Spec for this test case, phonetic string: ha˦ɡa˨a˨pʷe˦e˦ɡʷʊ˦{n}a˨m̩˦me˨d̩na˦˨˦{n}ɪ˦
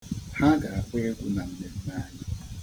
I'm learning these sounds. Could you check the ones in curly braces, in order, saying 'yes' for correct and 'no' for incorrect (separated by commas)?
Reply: yes, no